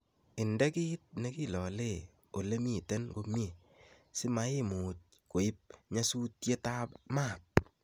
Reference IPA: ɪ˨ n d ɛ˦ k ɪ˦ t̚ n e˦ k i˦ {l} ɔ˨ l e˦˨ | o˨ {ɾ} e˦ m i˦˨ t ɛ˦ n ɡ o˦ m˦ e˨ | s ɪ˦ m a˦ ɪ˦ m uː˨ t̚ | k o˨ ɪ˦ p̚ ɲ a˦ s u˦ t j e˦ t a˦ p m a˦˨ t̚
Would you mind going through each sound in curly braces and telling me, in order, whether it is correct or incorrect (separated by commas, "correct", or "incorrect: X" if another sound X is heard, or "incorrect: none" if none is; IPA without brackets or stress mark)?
correct, incorrect: l